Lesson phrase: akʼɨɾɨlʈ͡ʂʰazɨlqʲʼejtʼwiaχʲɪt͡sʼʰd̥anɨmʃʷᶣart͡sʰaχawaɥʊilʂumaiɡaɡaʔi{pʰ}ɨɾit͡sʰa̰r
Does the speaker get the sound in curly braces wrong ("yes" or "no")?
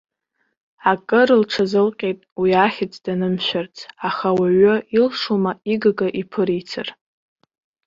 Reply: no